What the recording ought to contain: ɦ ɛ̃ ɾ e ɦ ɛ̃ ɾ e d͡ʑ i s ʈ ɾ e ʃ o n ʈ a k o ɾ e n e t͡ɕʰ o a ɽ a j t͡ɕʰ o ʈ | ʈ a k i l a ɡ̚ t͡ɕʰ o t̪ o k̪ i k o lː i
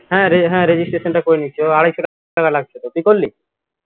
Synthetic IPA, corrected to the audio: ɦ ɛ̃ ɾ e ɦ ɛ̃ ɾ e d͡ʑ i s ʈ ɾ e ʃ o n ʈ a k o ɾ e n i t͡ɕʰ o a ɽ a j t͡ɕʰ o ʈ | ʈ a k a l a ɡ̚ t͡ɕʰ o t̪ o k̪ i k o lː i